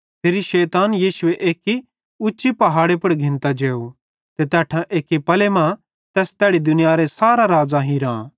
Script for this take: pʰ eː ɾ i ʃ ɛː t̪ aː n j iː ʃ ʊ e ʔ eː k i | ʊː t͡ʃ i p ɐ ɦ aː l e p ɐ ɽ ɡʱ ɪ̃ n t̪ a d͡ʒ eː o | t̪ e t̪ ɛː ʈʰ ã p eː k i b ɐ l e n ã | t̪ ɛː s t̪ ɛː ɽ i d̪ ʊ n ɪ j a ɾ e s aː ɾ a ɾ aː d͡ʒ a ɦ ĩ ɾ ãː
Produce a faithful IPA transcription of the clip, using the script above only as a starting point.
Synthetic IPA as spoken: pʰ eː ɾ i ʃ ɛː t̪ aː n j iː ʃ ʊ e ʔ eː k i | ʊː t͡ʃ i p ɐ ɦ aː ɽ e p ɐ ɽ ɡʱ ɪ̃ n t̪ a d͡ʒ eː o | t̪ e t̪ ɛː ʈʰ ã ʔ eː k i p ɐ l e m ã | t̪ ɛː s t̪ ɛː ɽ i d̪ ʊ n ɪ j a ɾ e s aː ɾ a ɾ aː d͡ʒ a ɦ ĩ ɾ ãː